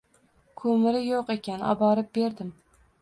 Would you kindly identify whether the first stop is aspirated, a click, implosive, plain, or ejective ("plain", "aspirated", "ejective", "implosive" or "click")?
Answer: aspirated